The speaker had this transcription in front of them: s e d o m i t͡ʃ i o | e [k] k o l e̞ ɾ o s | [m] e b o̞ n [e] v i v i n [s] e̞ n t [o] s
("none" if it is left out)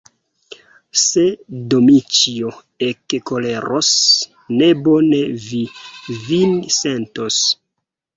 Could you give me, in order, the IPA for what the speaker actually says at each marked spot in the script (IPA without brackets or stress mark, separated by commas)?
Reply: k, n, e, s, o